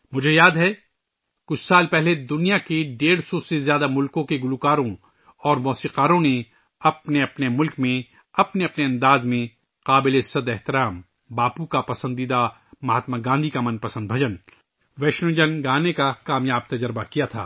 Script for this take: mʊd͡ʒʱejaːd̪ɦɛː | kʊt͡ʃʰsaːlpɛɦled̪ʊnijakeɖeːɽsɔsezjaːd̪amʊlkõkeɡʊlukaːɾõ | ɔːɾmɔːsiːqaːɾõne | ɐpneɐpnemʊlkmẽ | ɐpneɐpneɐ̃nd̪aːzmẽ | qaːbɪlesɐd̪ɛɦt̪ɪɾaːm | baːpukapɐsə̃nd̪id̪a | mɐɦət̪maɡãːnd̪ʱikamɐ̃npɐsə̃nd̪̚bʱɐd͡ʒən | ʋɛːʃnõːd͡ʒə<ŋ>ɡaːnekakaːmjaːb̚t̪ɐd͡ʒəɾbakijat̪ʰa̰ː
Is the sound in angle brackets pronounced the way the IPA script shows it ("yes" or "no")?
no